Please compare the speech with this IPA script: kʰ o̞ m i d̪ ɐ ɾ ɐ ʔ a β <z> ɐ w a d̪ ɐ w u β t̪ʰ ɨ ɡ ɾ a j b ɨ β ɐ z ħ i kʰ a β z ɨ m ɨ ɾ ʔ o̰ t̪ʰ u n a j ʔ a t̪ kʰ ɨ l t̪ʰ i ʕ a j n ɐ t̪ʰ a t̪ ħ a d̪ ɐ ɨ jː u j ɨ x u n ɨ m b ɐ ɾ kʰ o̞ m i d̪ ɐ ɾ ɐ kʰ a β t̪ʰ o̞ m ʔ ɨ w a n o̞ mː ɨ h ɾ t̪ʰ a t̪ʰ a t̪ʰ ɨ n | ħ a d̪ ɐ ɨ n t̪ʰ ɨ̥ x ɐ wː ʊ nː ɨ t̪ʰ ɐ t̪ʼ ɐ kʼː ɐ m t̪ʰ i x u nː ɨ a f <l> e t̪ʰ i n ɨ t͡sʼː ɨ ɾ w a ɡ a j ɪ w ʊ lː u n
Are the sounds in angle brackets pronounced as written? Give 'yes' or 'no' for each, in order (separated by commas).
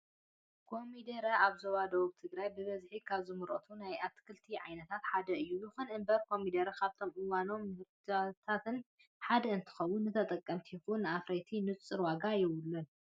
yes, no